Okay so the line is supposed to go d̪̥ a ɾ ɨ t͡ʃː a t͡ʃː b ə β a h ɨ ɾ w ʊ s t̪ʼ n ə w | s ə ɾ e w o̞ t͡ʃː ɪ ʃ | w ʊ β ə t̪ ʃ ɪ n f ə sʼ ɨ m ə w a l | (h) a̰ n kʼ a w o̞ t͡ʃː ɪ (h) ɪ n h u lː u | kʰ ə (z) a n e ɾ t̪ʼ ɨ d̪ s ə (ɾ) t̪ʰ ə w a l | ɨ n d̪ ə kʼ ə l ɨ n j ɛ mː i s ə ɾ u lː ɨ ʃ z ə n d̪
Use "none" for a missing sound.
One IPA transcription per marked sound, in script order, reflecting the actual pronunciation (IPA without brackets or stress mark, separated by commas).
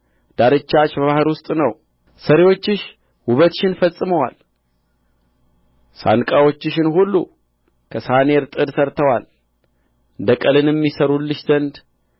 s, ʃ, s, ɾ